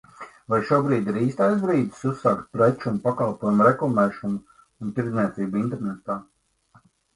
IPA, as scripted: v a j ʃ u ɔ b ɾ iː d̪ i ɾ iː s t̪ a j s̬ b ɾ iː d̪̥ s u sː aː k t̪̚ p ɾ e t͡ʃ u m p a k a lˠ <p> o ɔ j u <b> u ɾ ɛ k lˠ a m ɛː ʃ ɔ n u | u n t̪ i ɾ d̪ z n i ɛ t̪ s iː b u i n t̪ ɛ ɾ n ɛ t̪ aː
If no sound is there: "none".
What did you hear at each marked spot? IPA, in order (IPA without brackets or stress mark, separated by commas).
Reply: p, m